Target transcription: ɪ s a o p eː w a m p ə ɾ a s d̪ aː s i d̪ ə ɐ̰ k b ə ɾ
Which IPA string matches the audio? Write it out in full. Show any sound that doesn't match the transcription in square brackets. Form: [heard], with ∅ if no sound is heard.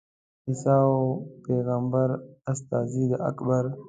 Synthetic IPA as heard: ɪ s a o p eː [ɣ] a m [b] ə ɾ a s [t̪] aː [z] i d̪ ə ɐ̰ k b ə ɾ